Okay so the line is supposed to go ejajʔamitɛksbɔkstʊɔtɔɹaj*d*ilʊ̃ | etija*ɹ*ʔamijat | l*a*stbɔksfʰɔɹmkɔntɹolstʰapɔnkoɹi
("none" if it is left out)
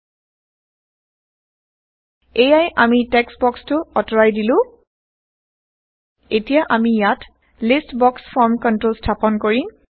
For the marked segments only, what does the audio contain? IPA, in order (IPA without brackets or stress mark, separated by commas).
d, none, i